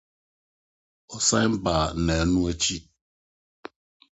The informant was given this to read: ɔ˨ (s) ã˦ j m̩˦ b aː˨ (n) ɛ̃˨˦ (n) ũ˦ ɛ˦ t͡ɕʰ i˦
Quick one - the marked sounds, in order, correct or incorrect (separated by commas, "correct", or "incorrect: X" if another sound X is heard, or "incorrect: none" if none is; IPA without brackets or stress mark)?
correct, correct, correct